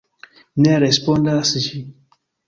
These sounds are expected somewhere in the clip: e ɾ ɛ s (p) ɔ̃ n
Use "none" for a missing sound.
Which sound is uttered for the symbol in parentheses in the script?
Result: p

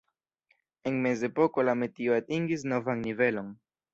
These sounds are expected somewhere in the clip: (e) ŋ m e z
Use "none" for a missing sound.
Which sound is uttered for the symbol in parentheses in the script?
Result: e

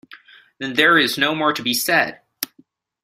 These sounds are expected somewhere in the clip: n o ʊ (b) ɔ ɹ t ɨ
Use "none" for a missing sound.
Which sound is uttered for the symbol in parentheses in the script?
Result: m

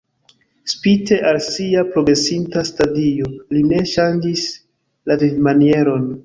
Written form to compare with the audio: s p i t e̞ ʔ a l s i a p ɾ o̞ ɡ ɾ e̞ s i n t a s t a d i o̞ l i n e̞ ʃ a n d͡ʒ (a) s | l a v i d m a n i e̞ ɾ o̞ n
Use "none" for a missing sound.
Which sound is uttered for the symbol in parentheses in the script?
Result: i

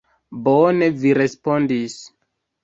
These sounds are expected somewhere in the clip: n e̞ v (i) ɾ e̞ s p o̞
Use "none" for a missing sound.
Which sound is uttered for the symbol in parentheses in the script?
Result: i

